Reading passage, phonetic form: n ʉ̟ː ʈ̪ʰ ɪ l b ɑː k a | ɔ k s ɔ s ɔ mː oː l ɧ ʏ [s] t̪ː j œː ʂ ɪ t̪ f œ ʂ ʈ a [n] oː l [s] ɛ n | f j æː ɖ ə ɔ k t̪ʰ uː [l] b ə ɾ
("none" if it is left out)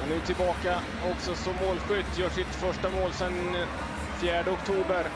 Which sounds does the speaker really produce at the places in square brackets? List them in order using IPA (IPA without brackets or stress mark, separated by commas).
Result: none, m, s, none